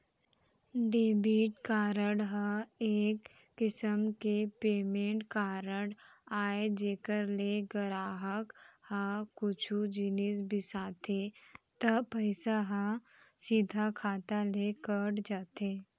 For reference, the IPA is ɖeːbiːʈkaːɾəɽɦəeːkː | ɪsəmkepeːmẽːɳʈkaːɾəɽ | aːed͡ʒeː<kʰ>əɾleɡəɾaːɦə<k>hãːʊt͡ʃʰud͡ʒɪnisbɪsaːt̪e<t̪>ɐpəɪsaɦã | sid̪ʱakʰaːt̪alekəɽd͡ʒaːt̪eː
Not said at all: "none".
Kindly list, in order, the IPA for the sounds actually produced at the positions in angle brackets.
k, k, t̪

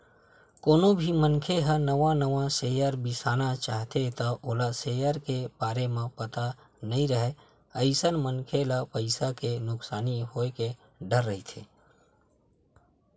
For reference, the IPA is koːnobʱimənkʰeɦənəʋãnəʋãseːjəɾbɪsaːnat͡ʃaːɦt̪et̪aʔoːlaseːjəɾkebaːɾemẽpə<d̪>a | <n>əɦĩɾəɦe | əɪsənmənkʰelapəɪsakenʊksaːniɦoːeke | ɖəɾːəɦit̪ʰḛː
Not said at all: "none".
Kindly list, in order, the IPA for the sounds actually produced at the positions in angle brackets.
t̪, n

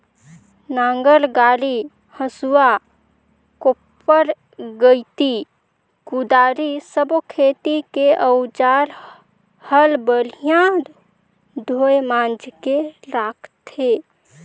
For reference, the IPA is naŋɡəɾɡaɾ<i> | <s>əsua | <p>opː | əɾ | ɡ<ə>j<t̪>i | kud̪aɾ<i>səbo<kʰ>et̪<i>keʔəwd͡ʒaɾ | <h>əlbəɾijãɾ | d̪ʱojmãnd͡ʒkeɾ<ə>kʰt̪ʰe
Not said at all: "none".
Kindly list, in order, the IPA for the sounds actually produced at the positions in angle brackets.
i, h, k, ə, t̪, i, kʰ, i, h, a

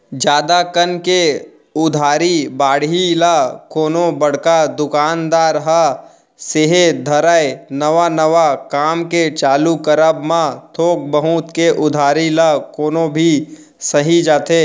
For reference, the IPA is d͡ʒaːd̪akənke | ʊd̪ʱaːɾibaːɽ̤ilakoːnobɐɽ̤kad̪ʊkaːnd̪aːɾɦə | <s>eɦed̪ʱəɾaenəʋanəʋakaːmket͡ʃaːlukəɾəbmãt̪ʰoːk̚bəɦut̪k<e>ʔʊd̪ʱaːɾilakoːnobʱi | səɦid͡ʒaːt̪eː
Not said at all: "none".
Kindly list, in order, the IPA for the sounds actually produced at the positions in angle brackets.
s, e

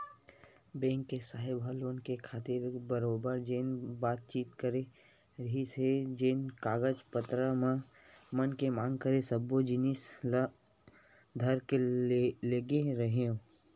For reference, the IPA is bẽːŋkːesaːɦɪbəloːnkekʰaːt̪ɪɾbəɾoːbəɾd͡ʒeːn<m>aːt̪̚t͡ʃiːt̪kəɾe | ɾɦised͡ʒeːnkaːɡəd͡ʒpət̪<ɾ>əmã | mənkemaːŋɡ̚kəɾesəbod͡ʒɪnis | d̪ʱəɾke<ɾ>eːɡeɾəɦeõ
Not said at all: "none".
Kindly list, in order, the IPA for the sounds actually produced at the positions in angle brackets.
b, ɾ, l

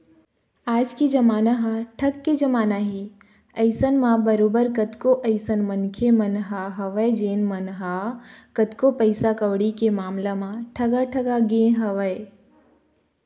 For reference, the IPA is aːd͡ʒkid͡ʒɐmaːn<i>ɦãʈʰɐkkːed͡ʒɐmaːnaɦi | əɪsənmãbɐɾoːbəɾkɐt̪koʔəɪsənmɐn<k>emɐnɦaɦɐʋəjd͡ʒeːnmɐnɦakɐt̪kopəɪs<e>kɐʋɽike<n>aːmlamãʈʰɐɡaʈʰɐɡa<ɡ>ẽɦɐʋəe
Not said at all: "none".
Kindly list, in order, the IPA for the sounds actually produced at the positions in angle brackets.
a, kʰ, a, m, ɡ

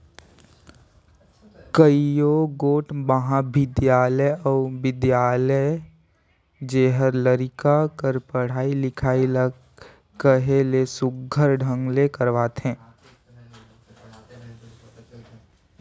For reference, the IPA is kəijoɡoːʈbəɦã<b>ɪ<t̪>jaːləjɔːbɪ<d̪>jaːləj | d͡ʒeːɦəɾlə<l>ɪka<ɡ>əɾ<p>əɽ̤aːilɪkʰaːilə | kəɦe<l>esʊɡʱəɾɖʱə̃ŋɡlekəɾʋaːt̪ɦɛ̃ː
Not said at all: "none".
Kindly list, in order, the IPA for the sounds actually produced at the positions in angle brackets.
b, d̪, d̪, ɾ, k, p, l

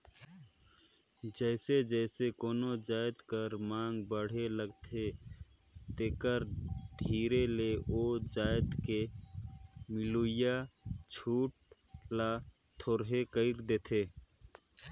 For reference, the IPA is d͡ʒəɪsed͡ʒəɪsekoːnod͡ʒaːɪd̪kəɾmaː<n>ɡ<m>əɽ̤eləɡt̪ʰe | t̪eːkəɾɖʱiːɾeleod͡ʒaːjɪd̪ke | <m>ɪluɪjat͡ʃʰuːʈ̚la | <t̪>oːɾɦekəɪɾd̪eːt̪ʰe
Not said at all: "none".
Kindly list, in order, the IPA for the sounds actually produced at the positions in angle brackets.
ŋ, b, m, t̪ʰ

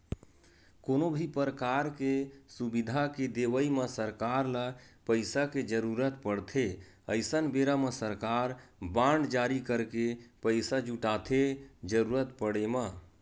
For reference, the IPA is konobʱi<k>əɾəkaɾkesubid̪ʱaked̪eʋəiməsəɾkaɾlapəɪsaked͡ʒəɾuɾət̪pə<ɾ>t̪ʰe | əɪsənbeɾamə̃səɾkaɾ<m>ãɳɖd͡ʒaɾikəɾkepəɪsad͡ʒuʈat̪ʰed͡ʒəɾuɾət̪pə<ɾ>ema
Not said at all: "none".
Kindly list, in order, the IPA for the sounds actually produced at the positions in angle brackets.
p, ɽ, b, ɽ

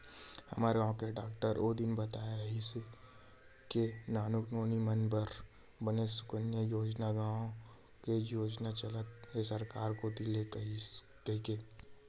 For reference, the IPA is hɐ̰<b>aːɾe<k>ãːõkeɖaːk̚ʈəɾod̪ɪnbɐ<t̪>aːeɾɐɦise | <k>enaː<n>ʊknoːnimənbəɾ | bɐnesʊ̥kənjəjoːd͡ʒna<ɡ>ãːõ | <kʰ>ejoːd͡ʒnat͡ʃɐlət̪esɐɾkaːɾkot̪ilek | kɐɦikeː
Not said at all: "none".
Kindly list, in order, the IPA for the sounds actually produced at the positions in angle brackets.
m, ɡ, t̪, k, n, ɡ, k

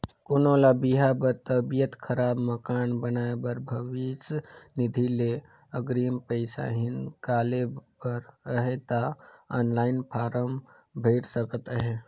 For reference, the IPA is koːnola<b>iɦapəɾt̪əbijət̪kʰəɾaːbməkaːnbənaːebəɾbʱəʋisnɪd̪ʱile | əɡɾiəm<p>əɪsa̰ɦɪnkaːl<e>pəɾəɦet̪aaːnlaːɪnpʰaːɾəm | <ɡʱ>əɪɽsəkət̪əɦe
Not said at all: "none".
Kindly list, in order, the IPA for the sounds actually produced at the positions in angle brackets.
b, p, e, bʱ

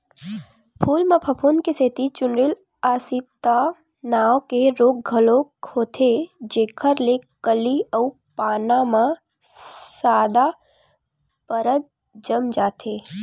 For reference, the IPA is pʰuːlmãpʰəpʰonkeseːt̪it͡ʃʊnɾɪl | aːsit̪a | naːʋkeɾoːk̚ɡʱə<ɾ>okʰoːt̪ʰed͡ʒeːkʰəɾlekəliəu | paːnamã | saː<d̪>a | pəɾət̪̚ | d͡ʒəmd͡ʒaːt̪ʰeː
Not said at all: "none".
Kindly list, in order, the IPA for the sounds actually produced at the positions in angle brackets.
l, d̪

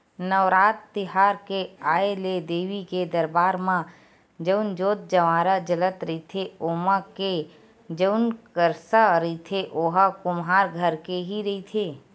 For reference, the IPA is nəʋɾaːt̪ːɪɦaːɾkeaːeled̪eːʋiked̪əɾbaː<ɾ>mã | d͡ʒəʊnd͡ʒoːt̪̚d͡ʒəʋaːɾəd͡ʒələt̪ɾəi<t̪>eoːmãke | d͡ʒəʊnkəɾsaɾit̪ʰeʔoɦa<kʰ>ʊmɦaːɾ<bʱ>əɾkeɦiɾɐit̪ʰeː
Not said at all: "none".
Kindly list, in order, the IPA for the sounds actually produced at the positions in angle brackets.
ɾ, t̪ʰ, k, ɡʱ

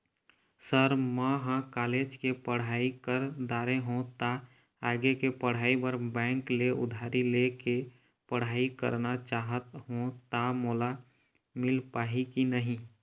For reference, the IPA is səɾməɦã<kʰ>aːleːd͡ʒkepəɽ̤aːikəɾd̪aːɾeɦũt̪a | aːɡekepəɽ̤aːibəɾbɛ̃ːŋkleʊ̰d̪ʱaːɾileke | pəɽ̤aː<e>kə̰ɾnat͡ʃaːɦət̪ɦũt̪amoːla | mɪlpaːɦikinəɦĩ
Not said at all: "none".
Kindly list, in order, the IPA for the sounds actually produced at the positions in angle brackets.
k, i

